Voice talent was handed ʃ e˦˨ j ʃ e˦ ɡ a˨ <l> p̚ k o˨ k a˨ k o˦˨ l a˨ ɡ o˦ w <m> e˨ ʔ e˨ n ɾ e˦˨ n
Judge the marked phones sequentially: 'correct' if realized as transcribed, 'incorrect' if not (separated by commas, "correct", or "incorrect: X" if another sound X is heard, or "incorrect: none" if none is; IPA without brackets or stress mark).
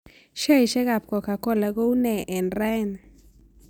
incorrect: none, incorrect: n